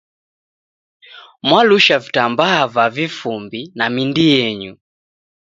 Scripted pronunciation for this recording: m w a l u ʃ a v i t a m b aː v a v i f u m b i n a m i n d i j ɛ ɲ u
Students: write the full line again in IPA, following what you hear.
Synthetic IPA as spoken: m w a l u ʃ a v i t a m b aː v a v i f u m b i n a m i n d i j ɛ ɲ u

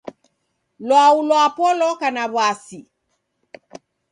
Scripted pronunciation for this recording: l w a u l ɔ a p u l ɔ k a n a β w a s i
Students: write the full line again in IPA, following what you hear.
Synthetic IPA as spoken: l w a u l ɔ a p ɔ l ɔ k a n a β w a s i

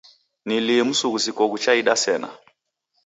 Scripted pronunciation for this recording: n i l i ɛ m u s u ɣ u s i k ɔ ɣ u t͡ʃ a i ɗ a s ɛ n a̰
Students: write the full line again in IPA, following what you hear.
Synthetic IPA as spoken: n i l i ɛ m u s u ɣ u s i k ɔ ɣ u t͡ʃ a i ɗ a s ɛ n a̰

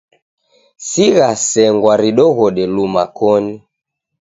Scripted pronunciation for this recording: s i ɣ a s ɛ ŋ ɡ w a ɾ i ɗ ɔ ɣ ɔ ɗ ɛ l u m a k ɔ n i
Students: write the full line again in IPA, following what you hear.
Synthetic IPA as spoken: s i ɣ a s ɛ ŋ ɡ w a ɾ i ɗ ɔ ɣ ɔ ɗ ɛ l u m a k ɔ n i

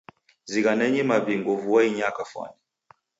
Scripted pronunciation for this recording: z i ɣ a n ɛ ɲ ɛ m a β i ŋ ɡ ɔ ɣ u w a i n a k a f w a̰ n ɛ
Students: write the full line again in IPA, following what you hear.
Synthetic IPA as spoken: z i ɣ a n ɛ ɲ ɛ m a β i ŋ ɡ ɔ v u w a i ɲ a k a f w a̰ n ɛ

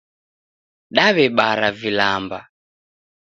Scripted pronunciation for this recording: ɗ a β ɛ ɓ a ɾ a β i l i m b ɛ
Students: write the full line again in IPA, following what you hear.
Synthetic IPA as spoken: ɗ a β ɛ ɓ a ɾ a v i l a m b a

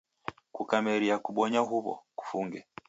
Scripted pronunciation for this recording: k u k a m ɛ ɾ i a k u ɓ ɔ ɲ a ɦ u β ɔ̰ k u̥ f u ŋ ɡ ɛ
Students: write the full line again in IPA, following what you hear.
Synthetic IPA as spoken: k u k a m ɛ ɾ i a k u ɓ ɔ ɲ a ɦ u β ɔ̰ k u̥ f u ŋ ɡ ɛ

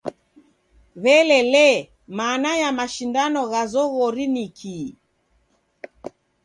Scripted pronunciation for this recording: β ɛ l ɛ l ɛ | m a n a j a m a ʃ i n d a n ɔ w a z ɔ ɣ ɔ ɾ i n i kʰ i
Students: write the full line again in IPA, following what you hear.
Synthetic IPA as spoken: β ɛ l ɛ l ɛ | m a n a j a m a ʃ i n d a n ɔ ɣ a z ɔ ɣ ɔ ɾ i n i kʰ i

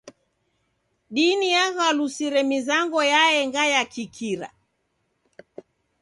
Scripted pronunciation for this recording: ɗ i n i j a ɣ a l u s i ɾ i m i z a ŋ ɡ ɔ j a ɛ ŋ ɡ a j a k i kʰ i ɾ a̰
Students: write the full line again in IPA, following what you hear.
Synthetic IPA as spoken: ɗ i n i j a ɣ a l u s i ɾ ɛ m i z a ŋ ɡ ɔ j a ɛ ŋ ɡ a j a k i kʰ i ɾ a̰

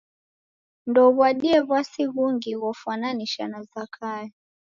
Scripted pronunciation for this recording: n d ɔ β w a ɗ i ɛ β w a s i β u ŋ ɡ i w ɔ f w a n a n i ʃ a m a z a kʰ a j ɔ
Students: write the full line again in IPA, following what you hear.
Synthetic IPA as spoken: n d ɔ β w a ɗ i ɛ β w a s i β u ŋ ɡ i w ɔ f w a n a n i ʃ a n a z a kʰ a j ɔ

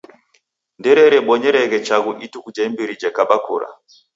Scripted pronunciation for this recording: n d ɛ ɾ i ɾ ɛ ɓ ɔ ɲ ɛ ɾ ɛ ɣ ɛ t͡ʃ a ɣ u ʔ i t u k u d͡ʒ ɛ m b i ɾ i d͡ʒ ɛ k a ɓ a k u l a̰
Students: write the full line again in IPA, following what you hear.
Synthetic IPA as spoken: n d ɛ ɾ ɛ ɾ ɛ ɓ ɔ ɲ ɛ ɾ ɛ ɣ ɛ t͡ʃ a ɣ u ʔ i t u k u d͡ʒ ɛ m b i ɾ i d͡ʒ ɛ k a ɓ a k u ɾ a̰

